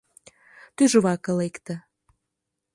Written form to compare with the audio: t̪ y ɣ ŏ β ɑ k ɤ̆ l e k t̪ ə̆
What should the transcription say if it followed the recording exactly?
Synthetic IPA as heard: t̪ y ʒ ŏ β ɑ k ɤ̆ l e k t̪ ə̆

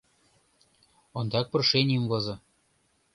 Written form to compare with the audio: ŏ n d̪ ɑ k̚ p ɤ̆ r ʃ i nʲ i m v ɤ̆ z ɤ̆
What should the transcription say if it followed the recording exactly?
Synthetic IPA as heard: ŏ n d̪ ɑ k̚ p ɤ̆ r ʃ e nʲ i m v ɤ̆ z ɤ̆

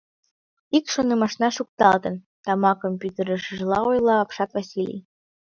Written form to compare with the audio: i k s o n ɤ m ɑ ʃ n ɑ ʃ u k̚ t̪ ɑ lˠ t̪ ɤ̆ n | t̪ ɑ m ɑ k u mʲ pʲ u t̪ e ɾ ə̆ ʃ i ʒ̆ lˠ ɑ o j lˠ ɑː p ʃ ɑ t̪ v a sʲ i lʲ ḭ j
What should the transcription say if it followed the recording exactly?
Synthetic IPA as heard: i k ʃ o n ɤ m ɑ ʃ n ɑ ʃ u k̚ t̪ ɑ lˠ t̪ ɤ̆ n | t̪ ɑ m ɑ k o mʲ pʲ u t̪ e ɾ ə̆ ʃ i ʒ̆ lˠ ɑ o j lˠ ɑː p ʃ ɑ t̪ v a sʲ i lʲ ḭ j

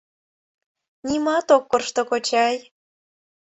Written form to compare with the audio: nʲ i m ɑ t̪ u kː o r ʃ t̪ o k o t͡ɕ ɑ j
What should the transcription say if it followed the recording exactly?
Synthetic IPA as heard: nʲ i m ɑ t̪ o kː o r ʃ t̪ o k o t͡ɕ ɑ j

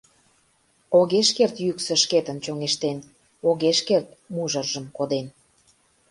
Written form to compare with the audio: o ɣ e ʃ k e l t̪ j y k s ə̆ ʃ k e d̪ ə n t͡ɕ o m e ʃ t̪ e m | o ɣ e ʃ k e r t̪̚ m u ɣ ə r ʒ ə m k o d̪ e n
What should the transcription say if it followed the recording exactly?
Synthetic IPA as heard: o ɣ e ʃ k e r t̪ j y k s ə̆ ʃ k e t̪ ə n t͡ɕ o ŋ e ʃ t̪ e n | o ɣ e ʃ k e r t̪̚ m u ʒ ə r ʒ ə m k o d̪ e n

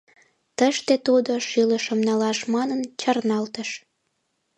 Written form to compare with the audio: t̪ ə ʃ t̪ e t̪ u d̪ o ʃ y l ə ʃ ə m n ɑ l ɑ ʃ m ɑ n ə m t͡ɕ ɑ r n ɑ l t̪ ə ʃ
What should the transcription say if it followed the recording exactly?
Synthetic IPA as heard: t̪ ə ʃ t̪ e t̪ u d̪ o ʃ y l ə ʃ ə m n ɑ l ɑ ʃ m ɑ n ə n t͡ɕ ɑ r n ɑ l t̪ ə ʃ

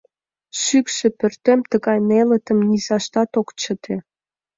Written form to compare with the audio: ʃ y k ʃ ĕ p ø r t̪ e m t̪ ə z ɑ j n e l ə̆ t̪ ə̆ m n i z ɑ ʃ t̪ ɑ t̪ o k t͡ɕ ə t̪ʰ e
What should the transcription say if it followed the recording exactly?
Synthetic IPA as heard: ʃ y k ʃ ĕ p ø r t̪ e m t̪ ə ɣ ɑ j n e l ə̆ t̪ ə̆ m n i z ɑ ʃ t̪ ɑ t̪ o k t͡ɕ ə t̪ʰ e

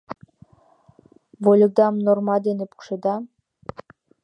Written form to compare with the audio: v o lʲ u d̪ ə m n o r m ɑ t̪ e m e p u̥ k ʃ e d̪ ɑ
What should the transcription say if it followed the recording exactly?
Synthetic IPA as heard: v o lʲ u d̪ ɑ m n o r m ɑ d̪ e n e p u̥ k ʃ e d̪ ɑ

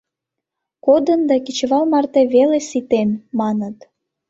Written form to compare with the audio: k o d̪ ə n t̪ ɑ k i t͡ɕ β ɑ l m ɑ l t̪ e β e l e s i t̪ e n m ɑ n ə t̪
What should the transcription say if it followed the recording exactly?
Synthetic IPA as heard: k o d̪ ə n d̪ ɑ k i t͡ɕ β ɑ l m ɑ r t̪ e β e l e s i t̪ e n m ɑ n ə t̪

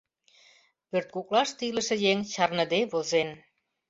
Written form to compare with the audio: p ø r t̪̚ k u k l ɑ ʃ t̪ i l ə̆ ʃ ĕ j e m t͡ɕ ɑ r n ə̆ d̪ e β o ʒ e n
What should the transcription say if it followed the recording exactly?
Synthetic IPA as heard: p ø r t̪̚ k u k l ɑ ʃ t̪ i l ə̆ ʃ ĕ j e ŋ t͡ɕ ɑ r n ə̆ d̪ e β o z e n

